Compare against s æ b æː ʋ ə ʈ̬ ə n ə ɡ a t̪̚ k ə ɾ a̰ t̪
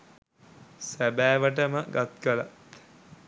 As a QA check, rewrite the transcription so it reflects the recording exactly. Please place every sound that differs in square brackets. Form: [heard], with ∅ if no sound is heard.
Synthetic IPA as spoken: s æ b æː ʋ ə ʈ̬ ə [m] ə ɡ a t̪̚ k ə [l] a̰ t̪